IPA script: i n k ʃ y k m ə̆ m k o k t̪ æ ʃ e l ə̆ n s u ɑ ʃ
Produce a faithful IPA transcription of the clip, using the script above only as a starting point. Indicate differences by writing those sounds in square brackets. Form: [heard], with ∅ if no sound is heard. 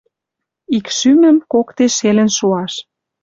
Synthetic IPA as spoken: i [∅] k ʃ y [∅] m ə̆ m k o k t̪ [e] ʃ e l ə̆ n [ʃ] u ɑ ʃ